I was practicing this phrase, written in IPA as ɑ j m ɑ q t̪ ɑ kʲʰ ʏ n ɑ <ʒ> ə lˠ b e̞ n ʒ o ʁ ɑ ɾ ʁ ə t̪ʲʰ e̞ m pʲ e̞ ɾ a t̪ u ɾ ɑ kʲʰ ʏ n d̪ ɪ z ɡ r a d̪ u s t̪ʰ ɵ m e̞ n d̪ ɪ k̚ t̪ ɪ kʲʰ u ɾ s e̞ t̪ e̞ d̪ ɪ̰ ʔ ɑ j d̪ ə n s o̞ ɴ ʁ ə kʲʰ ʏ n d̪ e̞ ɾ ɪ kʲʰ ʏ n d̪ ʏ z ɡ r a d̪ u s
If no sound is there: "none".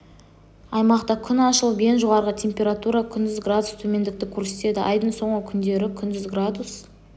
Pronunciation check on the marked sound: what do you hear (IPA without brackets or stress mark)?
ʃ